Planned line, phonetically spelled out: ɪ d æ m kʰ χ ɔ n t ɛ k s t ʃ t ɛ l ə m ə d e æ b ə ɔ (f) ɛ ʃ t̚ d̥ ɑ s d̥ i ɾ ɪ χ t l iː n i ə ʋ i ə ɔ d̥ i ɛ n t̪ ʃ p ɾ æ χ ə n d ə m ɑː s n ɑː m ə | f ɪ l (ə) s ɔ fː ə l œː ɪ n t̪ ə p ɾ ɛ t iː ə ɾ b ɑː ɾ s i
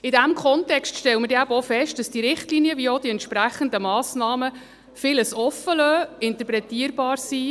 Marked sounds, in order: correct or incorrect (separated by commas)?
correct, correct